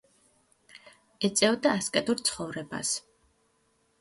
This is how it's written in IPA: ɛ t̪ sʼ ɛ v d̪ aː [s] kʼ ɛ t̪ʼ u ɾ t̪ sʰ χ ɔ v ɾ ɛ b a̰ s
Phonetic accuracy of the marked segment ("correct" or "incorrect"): correct